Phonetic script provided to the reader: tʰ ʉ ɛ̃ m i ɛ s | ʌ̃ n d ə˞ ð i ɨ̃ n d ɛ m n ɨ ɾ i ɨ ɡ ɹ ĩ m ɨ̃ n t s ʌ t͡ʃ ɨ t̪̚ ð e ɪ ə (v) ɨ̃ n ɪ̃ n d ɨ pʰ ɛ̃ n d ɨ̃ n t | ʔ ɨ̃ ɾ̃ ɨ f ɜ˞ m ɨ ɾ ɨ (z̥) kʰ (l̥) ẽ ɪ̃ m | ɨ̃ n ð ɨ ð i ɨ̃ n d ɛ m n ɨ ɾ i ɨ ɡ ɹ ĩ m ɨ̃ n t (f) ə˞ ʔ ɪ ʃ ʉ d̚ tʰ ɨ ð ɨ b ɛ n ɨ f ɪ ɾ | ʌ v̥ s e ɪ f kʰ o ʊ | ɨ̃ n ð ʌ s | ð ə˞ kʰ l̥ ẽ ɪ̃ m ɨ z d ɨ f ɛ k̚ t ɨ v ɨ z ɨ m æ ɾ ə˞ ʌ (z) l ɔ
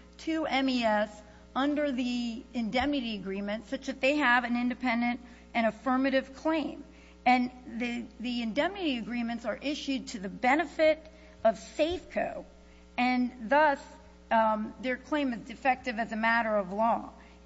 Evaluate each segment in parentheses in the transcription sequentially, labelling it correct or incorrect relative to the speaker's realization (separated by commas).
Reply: correct, incorrect, correct, incorrect, incorrect